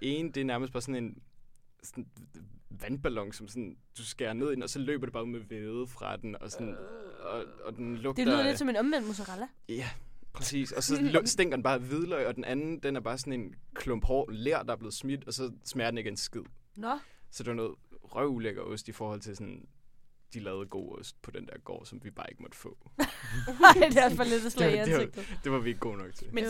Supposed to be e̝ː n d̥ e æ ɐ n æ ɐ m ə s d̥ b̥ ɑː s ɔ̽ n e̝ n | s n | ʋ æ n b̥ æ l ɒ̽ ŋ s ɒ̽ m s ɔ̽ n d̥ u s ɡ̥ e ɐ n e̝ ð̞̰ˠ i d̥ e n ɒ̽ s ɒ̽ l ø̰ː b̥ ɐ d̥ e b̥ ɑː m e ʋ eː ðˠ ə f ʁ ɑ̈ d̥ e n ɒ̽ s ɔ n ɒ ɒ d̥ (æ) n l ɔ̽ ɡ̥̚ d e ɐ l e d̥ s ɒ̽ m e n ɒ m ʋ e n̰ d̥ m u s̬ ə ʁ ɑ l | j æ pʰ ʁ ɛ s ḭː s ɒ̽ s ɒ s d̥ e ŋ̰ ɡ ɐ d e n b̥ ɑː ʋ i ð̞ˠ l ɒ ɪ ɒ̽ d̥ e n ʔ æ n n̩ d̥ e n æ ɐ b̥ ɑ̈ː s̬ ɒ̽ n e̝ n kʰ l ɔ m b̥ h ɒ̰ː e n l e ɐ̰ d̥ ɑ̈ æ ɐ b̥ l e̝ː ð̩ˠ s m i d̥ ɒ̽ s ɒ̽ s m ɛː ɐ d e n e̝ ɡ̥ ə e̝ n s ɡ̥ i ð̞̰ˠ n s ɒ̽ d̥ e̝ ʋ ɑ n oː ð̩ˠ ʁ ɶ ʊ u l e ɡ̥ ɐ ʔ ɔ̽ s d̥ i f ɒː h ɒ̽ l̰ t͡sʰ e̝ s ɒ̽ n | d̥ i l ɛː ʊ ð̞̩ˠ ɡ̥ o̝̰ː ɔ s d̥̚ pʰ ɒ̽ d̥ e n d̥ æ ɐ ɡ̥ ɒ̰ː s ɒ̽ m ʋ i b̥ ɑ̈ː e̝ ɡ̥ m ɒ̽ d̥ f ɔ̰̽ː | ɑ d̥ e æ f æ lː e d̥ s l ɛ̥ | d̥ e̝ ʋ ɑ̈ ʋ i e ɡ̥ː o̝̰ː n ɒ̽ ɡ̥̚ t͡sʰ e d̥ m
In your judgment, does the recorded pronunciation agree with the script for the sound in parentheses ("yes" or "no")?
no